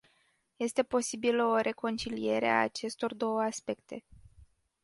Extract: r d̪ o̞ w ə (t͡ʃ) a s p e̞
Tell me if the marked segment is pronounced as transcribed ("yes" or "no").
no